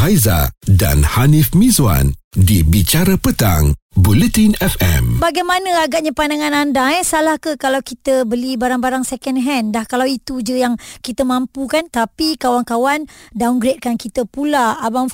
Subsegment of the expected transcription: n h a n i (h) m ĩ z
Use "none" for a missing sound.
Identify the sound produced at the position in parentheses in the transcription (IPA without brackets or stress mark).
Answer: f